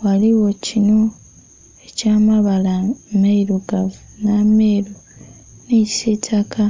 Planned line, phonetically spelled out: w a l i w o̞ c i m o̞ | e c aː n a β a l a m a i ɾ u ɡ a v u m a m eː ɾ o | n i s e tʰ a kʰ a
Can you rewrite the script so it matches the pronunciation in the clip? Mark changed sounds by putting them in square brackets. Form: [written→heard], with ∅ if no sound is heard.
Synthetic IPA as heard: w a l i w o̞ c i [m→n] o̞ | e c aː [n→m] a β a l a m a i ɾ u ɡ a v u [m→n] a m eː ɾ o | n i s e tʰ a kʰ a